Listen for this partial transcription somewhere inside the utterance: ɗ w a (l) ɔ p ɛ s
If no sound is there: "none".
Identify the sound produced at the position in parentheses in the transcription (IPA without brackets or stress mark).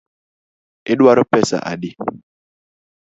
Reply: ɾ